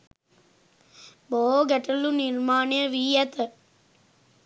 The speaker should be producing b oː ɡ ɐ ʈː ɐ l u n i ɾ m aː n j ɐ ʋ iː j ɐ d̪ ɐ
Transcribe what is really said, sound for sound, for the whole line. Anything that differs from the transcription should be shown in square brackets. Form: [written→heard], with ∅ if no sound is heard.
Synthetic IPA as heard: b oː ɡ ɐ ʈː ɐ l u n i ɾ m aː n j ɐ ʋ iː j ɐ [d̪→t̪] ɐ